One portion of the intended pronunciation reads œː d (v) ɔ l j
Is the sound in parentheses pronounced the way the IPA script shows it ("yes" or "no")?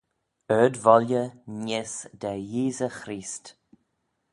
yes